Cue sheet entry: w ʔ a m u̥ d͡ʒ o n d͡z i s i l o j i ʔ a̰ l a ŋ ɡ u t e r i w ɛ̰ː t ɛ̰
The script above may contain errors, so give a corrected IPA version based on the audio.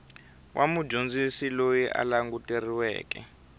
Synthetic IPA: w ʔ a m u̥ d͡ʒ o n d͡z i s i l o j i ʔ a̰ l a ŋ ɡ u t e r i w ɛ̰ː k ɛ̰